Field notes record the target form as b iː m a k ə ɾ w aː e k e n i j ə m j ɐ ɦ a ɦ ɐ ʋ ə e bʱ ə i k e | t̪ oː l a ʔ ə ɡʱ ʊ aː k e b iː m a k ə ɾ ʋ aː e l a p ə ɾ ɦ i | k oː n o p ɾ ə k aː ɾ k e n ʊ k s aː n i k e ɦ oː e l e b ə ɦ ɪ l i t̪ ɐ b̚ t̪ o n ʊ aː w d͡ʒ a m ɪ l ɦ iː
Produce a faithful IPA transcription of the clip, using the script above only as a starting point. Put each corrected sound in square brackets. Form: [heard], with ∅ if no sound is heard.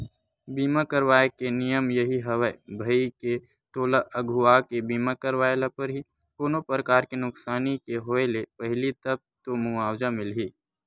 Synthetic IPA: b iː m a k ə ɾ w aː e k e n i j ə m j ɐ ɦ [i] ɦ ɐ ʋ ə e bʱ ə i k e | t̪ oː l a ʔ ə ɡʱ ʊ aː k e b iː m a k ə ɾ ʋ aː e l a p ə ɾ ɦ i | k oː n o p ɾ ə k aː ɾ k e n ʊ k s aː n i k e ɦ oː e l e [p] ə ɦ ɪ l i t̪ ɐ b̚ t̪ o [m] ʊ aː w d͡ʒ a m ɪ l ɦ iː